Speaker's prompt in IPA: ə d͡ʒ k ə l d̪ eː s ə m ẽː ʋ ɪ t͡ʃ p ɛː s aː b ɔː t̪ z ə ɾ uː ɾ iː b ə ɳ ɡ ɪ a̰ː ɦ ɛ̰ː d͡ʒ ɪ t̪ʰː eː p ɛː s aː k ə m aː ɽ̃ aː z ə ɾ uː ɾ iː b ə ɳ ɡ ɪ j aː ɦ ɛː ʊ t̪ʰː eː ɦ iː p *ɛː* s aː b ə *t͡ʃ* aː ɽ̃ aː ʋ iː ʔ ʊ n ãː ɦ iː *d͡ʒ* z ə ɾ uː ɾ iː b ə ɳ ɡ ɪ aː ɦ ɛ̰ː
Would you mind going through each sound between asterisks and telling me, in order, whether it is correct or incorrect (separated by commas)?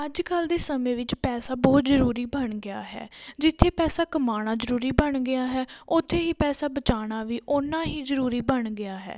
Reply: correct, correct, incorrect